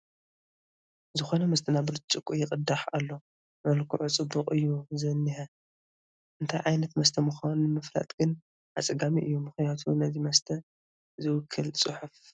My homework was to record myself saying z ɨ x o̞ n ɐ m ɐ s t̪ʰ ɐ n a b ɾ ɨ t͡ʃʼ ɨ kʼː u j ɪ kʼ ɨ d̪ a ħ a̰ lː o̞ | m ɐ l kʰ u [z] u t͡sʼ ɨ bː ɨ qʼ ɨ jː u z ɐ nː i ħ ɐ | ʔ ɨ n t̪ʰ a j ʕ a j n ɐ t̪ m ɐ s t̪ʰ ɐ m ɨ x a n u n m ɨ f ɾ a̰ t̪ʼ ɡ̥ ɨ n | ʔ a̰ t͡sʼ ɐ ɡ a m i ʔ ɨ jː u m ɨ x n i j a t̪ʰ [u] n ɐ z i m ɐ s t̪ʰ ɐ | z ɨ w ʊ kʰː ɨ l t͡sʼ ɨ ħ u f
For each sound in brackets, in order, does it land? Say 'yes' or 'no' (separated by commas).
no, yes